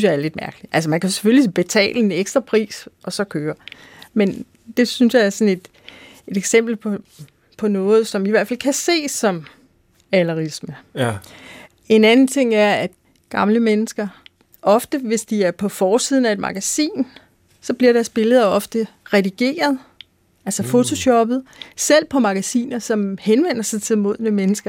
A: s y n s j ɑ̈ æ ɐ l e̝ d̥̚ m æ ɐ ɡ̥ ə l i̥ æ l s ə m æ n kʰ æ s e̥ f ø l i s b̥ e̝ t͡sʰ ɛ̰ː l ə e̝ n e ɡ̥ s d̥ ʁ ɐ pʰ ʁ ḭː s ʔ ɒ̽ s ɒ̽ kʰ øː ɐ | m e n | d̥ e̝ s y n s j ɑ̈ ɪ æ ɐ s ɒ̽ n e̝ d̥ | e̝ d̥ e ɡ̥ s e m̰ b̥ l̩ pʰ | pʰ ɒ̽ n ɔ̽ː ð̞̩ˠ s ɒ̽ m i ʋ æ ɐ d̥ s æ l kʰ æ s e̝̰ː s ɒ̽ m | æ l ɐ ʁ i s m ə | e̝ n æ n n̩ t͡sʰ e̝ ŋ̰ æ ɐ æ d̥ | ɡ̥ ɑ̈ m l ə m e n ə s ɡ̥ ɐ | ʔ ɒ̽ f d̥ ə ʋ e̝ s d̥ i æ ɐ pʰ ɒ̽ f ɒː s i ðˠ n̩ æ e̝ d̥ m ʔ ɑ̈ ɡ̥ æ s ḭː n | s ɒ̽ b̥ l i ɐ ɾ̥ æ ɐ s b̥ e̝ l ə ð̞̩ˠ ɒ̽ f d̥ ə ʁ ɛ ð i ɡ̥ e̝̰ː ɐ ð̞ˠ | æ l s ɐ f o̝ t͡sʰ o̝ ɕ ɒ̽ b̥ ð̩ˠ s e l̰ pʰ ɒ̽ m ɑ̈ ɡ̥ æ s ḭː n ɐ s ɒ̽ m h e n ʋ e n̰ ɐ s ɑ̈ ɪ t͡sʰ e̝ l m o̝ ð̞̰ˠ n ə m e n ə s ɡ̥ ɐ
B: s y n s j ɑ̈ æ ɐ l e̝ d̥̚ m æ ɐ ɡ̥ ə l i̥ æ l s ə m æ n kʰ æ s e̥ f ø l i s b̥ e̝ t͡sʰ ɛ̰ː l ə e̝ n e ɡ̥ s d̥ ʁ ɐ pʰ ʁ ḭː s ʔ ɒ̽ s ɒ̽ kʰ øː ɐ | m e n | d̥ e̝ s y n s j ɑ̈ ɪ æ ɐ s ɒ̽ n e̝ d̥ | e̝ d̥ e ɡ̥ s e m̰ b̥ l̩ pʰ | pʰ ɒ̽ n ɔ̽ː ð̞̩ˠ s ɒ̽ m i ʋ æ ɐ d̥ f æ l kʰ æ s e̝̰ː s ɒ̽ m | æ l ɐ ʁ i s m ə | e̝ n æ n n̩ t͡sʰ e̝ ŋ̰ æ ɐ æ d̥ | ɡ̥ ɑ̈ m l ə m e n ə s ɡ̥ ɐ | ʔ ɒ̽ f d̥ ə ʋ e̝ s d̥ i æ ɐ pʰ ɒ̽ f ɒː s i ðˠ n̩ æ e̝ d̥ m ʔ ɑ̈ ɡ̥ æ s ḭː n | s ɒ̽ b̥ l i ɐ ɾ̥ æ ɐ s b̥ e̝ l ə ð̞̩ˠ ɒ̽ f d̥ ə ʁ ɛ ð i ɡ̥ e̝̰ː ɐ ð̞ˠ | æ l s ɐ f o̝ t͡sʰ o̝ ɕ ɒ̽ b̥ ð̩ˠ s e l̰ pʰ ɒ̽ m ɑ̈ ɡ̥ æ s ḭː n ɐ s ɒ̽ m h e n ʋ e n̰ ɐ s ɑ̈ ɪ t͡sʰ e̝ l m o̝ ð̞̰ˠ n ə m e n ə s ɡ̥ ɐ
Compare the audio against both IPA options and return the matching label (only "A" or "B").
B